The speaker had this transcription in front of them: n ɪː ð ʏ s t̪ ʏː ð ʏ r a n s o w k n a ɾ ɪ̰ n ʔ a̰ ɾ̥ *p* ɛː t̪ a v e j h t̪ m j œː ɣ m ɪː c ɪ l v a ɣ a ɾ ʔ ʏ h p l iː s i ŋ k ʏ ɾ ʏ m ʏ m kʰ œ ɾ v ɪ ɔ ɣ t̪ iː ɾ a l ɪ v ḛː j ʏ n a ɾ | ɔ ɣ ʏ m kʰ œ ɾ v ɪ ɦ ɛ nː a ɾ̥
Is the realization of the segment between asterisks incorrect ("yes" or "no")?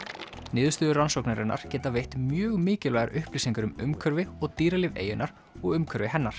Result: yes